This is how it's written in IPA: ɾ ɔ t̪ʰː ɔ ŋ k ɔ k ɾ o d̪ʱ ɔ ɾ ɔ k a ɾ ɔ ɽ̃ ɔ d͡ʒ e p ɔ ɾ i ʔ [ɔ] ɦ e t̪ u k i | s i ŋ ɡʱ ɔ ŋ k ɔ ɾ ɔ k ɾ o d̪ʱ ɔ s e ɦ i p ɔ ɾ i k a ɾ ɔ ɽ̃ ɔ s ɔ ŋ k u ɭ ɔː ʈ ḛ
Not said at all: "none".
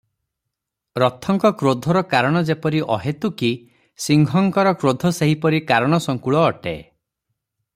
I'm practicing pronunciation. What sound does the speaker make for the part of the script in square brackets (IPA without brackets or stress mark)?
ɔ